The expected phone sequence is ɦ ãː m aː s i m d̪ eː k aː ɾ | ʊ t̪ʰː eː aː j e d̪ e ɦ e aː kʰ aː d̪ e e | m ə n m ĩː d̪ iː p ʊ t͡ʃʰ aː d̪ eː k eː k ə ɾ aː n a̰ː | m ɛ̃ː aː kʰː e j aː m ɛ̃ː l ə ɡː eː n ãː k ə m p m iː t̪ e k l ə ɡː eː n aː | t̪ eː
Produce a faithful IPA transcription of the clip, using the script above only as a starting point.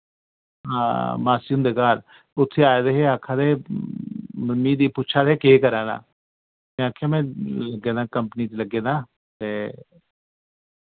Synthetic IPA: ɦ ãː m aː s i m d̪ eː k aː ɾ | ʊ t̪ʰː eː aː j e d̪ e ɦ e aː kʰ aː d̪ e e | m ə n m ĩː d̪ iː p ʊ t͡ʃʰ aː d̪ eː k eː k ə ɾ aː n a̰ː | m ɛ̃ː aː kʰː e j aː m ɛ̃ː l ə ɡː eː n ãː k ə m p n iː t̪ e l ə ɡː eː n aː | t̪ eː